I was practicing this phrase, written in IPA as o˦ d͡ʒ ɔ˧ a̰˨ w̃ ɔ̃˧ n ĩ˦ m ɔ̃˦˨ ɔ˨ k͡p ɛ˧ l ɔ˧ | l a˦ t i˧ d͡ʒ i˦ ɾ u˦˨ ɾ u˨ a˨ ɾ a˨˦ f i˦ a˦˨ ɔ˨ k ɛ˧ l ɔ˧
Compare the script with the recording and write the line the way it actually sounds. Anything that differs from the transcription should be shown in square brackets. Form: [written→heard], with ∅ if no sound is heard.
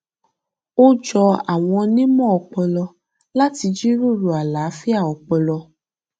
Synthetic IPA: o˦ d͡ʒ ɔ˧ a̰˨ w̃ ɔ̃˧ n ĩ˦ m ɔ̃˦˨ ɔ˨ k͡p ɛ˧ l ɔ˧ | l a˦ t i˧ d͡ʒ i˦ ɾ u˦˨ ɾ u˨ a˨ [ɾ→l] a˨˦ f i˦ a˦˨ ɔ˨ [k→k͡p] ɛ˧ l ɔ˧